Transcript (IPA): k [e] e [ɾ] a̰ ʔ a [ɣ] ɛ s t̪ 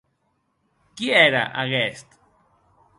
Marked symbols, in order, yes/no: no, yes, yes

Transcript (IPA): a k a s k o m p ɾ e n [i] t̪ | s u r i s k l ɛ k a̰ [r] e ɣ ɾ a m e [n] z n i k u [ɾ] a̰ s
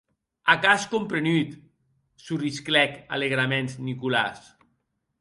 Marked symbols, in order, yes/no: no, no, yes, no

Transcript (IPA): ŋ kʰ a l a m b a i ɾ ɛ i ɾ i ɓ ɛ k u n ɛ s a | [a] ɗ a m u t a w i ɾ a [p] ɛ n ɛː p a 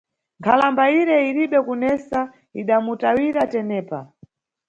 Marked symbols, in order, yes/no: no, no

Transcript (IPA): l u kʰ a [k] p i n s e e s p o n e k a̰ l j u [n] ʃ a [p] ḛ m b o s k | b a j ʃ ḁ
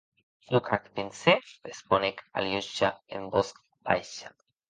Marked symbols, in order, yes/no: yes, no, no

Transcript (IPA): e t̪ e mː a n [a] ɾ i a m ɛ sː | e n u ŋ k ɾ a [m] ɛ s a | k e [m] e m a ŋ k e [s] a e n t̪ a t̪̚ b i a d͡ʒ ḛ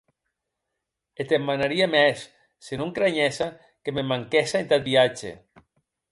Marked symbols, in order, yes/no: yes, no, yes, yes

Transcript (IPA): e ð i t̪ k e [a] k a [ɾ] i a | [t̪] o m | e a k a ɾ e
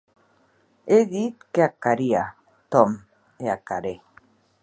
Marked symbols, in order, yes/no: yes, yes, yes

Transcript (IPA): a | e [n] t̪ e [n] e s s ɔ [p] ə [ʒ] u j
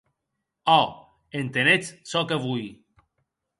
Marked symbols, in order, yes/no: yes, yes, no, no

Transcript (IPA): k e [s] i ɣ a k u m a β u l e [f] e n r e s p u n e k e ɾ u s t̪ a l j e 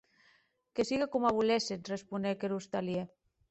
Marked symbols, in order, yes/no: yes, no

